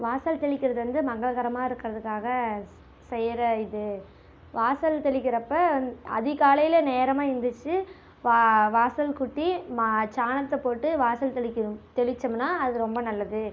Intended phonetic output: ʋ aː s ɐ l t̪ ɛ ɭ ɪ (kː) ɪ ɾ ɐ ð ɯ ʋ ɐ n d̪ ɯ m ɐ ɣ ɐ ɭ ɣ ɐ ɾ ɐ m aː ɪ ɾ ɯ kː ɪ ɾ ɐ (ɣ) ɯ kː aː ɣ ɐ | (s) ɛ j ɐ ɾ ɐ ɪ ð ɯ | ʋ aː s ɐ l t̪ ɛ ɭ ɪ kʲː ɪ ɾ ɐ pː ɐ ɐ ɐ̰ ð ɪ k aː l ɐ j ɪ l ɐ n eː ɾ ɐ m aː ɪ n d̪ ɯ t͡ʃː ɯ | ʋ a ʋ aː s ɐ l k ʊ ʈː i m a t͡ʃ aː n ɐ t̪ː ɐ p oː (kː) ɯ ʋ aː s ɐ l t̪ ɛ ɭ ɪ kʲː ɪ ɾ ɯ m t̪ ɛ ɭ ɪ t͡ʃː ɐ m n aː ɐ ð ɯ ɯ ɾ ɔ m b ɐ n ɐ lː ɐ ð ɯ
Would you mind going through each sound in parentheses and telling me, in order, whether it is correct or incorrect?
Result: correct, incorrect: ð, correct, incorrect: ʈː

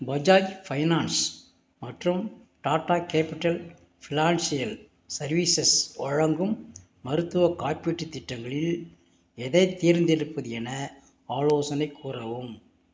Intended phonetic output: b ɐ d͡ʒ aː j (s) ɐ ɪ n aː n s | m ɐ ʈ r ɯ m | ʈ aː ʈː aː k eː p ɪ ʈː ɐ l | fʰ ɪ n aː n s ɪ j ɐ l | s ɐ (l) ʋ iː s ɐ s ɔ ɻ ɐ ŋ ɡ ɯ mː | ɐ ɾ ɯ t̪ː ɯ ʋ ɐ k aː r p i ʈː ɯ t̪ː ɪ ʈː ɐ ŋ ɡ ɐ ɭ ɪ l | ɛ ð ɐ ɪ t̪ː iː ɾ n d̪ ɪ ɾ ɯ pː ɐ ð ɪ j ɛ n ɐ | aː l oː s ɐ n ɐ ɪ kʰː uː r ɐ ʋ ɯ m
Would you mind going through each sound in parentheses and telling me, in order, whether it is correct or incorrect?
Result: incorrect: f, incorrect: ɾ

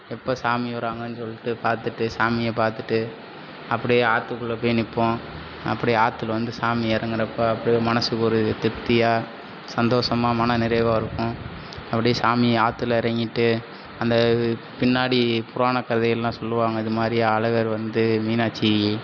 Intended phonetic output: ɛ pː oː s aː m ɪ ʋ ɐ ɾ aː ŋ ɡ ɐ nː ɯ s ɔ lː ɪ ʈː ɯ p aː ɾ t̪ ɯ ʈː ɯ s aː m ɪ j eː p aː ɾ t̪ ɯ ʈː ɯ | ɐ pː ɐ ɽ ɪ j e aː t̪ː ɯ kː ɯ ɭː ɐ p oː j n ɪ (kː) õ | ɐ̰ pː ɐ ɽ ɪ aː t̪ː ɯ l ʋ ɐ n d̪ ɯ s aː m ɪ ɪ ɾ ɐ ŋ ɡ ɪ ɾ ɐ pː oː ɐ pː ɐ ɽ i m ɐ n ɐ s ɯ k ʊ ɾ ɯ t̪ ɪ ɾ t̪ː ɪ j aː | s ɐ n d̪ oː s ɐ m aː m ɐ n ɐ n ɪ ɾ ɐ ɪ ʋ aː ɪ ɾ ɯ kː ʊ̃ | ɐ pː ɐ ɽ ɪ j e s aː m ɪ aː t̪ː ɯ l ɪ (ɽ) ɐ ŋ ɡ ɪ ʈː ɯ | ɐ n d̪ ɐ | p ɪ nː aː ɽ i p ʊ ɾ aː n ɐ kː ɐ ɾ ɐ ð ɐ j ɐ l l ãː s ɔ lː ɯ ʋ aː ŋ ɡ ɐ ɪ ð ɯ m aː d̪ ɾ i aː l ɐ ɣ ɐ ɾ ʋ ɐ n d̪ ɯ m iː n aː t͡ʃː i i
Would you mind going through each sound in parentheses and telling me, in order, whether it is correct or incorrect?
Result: incorrect: pː, incorrect: ɾ

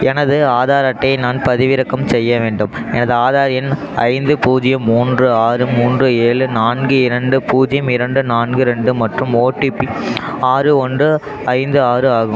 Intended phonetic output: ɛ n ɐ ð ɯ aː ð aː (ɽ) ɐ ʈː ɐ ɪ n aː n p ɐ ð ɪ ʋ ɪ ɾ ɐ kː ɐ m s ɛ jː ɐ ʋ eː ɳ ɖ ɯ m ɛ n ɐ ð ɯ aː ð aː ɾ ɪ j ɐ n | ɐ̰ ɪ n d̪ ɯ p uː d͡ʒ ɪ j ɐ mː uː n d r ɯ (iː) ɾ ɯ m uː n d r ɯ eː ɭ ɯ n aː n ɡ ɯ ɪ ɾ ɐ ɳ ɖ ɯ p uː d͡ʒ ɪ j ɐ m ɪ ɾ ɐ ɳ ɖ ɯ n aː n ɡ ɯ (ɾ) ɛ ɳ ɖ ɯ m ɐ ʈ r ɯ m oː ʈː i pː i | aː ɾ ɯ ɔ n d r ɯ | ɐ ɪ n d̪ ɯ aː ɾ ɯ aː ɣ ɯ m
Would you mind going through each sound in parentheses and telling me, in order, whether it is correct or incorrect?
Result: incorrect: ɾ, incorrect: aː, correct

